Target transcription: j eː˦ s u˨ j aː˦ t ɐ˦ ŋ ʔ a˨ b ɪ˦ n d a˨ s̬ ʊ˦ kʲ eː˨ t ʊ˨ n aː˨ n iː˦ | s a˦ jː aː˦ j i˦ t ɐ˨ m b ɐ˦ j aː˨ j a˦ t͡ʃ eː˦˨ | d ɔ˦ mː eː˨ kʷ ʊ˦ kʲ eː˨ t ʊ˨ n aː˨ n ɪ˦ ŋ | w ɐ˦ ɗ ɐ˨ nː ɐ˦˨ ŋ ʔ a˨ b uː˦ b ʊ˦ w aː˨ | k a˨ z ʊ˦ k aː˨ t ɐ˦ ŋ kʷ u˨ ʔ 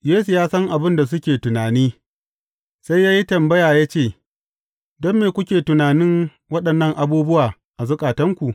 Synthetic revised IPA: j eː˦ s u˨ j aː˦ s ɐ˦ ŋ ʔ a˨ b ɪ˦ n d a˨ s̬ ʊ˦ kʲ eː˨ t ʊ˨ n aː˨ n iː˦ | s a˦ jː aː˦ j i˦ t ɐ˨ m b ɐ˦ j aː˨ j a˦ t͡ʃ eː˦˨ | d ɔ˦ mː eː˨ kʷ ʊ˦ kʲ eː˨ t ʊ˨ n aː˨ n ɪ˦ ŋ | w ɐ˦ ɗ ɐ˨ nː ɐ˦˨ ŋ ʔ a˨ b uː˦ b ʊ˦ w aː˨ | ʔ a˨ z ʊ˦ kʼ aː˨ t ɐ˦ ŋ kʷ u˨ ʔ